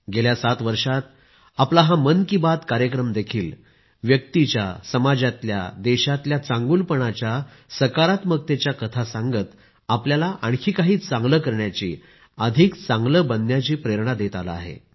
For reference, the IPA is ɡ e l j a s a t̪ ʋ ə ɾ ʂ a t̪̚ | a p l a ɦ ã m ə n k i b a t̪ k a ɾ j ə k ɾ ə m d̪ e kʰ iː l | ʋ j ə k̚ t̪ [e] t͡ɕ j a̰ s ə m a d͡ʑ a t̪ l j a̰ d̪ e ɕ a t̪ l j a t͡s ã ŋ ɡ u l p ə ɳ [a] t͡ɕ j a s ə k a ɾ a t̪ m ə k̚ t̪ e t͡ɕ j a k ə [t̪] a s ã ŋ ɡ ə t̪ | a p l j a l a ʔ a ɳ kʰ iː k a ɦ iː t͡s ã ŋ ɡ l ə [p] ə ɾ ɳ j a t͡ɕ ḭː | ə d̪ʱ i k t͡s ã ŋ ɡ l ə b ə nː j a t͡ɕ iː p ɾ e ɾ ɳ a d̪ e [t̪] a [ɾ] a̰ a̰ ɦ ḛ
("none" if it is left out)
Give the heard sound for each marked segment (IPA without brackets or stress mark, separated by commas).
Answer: i, a, t̪ʰ, k, t̪, l